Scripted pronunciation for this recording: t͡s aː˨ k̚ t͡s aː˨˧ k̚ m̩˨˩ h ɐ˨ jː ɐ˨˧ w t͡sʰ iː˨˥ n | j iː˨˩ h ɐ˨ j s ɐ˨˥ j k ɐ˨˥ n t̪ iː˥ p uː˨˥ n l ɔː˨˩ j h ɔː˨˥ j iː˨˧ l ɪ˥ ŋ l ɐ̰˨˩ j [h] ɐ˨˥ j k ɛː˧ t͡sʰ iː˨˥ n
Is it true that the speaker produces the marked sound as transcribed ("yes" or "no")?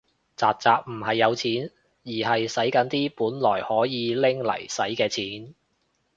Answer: no